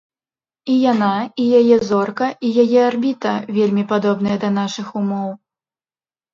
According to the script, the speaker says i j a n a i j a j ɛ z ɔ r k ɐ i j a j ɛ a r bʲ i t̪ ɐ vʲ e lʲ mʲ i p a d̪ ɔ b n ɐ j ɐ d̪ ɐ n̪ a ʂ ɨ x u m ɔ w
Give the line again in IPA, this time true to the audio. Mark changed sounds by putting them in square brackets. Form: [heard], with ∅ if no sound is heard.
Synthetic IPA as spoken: i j a n a i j a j ɛ z ɔ r k ɐ i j a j ɛ a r bʲ i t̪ ɐ vʲ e lʲ mʲ i p a d̪ ɔ b n ɐ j ɐ d̪ ɐ n̪ a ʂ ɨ x u m ɔ w